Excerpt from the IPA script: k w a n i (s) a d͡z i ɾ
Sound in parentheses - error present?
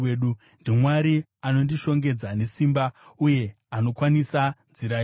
no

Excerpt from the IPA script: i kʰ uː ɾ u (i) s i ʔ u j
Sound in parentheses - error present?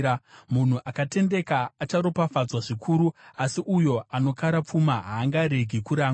yes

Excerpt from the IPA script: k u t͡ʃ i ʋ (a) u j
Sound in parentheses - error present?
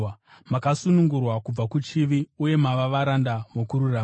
yes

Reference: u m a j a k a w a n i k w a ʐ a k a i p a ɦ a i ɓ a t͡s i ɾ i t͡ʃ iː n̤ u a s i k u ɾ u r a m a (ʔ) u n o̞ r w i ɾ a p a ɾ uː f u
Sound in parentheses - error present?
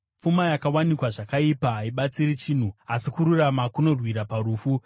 yes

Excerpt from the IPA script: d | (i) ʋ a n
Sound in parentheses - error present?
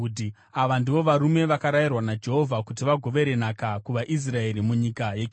yes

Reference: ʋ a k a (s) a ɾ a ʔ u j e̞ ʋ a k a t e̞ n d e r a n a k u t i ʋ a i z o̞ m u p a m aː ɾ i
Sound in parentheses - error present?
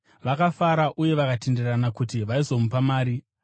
yes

